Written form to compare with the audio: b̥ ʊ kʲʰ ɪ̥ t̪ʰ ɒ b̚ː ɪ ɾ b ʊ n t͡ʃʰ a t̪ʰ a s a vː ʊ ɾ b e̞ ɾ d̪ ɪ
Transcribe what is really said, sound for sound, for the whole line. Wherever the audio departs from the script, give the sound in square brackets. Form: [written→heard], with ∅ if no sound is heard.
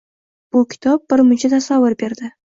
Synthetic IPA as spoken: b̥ ʊ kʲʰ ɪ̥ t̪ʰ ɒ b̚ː ɪ ɾ [b→m] ʊ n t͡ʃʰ a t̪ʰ a s a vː ʊ ɾ b e̞ ɾ d̪ ɪ